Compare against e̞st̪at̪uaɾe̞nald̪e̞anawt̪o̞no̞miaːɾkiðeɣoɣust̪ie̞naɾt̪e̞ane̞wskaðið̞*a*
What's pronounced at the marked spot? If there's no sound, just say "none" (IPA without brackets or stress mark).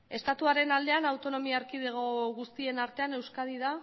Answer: a